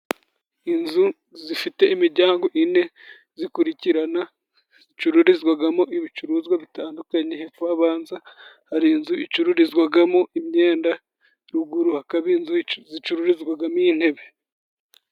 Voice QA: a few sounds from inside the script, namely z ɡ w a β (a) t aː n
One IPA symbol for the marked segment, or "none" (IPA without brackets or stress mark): i